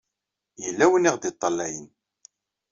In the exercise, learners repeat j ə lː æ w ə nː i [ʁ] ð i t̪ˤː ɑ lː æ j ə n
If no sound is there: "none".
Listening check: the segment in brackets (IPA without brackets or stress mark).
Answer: ʁ